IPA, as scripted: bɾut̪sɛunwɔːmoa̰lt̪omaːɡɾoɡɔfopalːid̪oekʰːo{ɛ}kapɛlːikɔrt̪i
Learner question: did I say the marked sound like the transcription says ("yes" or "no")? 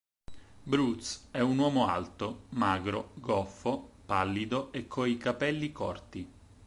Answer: no